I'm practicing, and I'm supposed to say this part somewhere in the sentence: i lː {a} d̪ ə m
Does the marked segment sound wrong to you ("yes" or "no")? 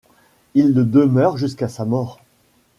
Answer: yes